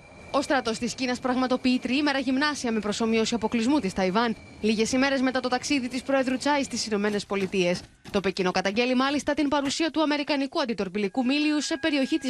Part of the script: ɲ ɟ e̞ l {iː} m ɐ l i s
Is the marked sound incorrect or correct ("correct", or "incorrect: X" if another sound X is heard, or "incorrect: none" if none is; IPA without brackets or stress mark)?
incorrect: i